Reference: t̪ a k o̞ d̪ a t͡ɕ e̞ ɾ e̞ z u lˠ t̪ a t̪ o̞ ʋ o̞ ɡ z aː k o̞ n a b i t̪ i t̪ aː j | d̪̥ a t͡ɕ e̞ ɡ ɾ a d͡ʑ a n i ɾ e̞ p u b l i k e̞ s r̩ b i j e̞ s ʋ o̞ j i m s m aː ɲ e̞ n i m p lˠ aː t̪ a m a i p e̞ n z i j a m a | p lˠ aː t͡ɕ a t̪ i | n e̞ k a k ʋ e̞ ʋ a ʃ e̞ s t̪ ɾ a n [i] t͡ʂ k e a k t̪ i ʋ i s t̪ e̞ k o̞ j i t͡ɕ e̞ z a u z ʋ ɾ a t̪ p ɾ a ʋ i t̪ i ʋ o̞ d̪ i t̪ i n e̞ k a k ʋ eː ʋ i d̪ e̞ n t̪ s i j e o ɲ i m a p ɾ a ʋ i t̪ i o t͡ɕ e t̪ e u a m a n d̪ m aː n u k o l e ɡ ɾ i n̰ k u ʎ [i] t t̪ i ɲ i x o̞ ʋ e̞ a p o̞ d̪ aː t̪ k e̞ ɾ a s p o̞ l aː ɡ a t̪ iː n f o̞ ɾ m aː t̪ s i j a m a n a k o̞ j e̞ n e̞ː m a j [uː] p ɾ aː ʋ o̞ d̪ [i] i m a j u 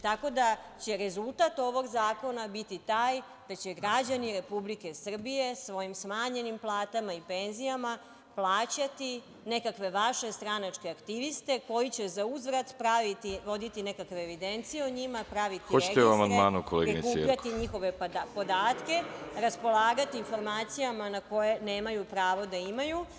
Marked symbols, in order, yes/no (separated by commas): no, no, no, no